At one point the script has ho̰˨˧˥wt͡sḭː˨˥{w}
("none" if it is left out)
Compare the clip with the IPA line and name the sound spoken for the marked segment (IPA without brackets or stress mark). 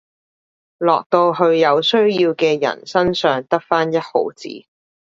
none